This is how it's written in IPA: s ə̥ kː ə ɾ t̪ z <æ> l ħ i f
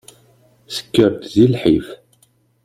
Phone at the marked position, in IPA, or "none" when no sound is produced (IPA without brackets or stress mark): i